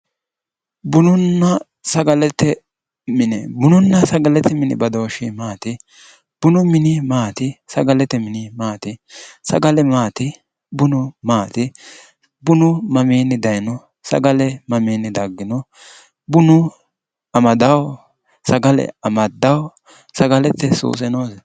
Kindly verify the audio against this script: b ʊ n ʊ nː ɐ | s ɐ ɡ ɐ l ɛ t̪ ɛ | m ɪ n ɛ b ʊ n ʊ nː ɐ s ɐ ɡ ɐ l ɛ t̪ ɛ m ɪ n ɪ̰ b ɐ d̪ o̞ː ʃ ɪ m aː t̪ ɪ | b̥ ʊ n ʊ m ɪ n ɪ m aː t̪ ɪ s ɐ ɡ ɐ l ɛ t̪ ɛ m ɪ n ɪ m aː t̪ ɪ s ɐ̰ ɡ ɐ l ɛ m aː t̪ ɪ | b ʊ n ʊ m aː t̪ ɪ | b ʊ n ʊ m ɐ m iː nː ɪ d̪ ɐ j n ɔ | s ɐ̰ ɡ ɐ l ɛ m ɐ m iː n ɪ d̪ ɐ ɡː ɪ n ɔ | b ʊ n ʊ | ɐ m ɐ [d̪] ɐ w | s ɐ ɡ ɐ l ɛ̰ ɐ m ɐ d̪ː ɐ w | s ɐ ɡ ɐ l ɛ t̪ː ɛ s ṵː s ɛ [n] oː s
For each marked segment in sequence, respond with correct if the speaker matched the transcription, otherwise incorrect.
correct, correct

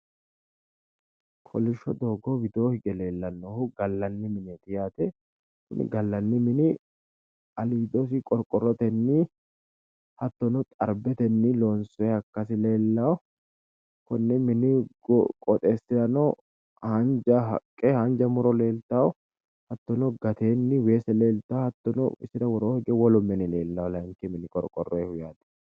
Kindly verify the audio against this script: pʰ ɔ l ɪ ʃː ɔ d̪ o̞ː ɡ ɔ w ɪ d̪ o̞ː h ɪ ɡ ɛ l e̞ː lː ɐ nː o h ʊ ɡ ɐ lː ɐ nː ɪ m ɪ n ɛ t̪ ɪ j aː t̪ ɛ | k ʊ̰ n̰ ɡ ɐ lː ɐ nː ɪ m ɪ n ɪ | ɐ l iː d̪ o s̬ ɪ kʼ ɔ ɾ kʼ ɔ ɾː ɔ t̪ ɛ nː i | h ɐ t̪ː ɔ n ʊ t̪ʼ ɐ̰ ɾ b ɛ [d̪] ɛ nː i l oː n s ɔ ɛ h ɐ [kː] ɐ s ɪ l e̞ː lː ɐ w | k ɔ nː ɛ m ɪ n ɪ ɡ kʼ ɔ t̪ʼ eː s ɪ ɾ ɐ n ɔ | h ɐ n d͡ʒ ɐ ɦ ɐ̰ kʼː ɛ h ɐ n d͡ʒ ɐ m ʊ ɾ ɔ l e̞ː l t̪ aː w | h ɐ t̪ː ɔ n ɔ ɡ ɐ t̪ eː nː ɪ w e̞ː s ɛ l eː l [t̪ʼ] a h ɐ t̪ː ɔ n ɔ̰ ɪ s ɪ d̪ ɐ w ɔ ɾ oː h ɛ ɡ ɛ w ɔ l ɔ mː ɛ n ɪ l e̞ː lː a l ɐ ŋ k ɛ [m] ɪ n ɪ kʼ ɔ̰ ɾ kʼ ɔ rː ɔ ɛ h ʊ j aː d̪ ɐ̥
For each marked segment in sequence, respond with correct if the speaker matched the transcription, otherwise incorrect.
incorrect: t̪, correct, incorrect: t̪, correct

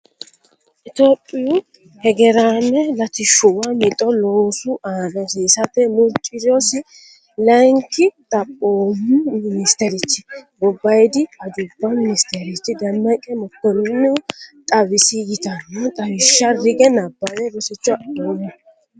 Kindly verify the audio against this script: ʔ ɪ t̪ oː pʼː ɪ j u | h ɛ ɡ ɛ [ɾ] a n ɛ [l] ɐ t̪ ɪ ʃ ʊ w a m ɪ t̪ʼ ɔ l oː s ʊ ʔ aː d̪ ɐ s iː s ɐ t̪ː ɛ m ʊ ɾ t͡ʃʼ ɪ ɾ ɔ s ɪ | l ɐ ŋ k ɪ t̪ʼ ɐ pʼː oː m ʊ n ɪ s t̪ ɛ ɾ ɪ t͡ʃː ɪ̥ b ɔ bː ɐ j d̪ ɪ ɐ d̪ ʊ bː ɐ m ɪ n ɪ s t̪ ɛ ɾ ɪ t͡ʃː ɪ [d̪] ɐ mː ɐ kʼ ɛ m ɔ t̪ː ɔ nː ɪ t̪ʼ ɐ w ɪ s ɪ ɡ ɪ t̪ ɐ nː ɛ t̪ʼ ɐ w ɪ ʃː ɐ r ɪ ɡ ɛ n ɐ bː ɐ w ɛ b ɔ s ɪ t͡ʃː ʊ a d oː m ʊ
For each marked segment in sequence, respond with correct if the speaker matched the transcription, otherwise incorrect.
correct, correct, correct

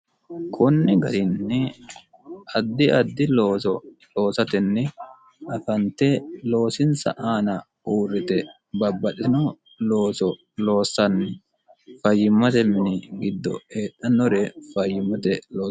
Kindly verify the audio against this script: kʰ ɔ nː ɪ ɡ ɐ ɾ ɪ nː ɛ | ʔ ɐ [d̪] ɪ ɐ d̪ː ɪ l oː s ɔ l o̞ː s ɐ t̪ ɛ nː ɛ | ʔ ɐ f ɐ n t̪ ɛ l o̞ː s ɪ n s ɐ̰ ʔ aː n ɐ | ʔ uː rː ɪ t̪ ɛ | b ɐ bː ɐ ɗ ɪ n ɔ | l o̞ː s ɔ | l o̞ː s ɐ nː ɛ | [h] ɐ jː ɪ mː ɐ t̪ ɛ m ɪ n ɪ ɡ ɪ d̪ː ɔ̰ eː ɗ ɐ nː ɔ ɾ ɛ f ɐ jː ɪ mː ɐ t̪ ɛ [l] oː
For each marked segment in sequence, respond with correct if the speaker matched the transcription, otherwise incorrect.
incorrect: d̪ː, incorrect: f, correct

